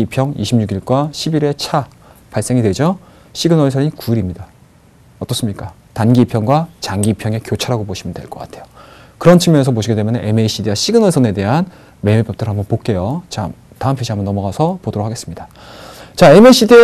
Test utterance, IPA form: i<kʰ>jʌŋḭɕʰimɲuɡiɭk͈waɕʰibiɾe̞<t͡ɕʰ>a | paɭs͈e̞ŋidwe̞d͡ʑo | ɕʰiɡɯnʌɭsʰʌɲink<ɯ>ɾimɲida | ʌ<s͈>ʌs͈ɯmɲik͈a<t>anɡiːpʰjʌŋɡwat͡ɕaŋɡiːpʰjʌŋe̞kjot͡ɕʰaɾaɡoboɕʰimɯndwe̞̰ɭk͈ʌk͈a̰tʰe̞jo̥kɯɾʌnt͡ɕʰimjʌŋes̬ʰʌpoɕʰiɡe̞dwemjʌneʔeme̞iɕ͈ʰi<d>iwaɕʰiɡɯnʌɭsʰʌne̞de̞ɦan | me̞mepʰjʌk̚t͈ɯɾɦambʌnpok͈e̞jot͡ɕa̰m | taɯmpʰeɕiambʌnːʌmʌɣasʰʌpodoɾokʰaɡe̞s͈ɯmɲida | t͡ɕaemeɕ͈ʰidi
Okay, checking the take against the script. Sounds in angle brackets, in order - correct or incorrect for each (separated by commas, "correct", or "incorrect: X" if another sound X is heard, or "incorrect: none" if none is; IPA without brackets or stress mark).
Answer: incorrect: pʰ, correct, incorrect: u, incorrect: t͈, correct, correct